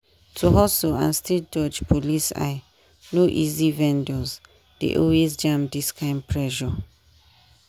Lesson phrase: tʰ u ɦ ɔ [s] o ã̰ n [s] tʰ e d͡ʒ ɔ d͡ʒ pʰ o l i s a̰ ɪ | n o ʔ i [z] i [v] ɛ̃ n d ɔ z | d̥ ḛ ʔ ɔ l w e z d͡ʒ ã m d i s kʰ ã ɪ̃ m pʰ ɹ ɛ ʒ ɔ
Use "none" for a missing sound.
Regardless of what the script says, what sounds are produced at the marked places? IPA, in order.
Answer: s, s, z, v

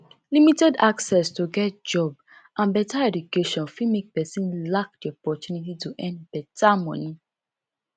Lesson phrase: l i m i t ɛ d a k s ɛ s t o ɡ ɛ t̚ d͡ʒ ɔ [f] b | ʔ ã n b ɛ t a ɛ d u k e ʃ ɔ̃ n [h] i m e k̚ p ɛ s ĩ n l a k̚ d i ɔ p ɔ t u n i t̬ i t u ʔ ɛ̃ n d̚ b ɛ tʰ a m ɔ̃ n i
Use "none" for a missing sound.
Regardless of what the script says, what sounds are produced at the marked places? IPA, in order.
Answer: none, f

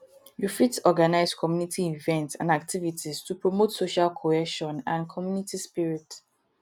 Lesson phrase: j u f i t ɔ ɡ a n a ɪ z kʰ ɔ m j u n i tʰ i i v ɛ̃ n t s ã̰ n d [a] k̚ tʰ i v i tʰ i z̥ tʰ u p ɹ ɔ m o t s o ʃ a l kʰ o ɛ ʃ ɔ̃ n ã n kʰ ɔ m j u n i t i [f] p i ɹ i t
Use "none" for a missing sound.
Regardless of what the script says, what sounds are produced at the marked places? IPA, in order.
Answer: a, s

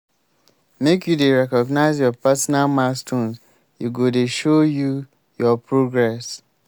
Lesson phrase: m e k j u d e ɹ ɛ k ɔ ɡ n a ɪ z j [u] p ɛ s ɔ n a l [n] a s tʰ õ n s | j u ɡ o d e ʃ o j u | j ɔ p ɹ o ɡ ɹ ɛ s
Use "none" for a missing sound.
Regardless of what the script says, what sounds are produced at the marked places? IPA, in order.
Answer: ɔ, m

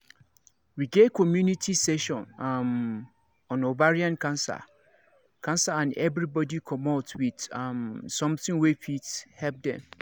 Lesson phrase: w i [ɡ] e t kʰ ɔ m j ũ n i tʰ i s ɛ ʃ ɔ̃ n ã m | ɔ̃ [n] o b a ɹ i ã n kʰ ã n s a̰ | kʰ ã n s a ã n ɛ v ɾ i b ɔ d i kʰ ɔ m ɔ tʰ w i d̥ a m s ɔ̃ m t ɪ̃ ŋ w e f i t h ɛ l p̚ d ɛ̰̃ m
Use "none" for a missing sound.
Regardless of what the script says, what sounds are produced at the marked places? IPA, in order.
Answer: ɡ, n

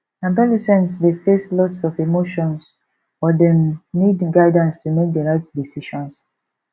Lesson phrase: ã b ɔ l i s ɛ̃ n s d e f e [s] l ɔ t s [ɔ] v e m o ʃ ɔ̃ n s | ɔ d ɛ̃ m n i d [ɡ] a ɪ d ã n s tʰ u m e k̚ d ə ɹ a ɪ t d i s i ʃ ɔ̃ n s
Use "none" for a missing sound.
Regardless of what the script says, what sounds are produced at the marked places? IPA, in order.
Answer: s, ɔ, ɡ

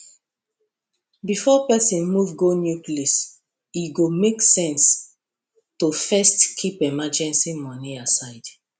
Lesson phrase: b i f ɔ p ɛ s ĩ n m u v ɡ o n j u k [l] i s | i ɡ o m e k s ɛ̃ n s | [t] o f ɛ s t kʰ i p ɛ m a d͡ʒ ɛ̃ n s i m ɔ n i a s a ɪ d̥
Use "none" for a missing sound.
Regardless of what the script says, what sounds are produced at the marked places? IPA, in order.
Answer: l, t

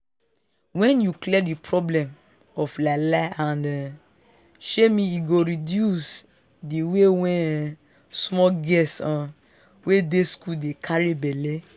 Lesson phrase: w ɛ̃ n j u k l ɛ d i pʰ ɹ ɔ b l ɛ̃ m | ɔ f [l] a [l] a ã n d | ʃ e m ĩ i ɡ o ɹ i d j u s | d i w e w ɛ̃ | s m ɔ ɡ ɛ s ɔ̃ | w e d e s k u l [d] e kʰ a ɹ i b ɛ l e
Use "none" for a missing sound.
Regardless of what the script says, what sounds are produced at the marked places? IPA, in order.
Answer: l, l, d

